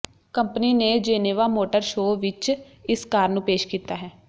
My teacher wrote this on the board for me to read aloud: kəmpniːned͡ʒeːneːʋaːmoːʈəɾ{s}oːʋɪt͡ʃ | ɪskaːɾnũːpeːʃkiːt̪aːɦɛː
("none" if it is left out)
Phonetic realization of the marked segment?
ʃ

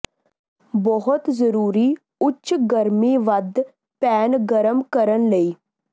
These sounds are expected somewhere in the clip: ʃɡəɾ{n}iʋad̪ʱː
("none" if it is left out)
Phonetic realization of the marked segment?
m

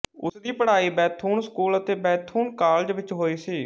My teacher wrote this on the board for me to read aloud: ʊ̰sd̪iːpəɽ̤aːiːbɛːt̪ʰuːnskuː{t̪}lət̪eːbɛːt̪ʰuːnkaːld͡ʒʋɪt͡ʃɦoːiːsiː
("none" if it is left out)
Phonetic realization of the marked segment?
none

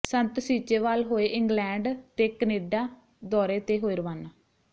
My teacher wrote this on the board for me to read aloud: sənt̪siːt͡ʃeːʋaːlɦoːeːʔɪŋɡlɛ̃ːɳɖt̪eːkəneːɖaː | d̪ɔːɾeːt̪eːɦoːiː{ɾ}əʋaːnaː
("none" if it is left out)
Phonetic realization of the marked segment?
ɾ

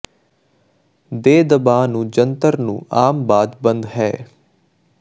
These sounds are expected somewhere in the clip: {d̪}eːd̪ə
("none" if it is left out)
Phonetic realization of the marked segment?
d̪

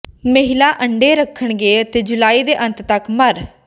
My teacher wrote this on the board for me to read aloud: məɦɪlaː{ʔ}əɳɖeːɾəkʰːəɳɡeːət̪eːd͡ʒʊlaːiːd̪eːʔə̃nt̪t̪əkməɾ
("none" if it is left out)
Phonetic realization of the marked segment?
ʔ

